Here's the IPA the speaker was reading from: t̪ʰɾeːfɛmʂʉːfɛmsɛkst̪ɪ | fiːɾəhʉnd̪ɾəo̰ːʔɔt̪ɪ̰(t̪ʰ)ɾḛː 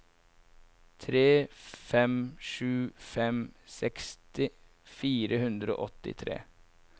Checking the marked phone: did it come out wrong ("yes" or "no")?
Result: no